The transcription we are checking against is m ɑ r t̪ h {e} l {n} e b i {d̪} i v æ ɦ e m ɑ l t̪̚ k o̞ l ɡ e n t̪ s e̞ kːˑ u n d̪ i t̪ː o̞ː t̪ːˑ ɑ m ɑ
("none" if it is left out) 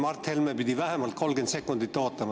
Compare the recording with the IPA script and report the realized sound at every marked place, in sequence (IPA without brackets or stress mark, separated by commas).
e, m, d̪